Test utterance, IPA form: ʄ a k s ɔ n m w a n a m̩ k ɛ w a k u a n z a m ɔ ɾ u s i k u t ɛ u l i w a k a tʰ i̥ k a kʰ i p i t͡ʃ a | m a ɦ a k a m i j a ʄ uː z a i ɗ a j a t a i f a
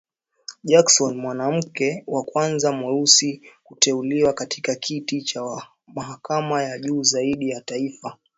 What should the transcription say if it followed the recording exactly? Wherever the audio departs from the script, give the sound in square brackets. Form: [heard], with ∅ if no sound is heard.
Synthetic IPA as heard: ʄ a k s ɔ n m w a n a m̩ k ɛ w a k [w] a n z a m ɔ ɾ u s i k u t ɛ u l i w a k a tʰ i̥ k a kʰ i [t] i t͡ʃ a | m a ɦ a k a m [a] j a ʄ uː z a i ɗ [i] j a t a i f a